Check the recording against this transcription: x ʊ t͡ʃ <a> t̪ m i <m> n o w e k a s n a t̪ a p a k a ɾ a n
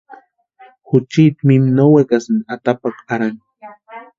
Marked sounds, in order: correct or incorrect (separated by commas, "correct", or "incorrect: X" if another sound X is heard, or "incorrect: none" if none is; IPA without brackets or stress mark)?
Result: incorrect: i, correct